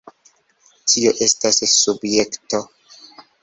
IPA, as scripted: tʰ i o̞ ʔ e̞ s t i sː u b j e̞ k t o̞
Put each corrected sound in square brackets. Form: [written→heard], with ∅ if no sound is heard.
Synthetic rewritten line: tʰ i o̞ ʔ e̞ s t [i→a] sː u b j e̞ k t o̞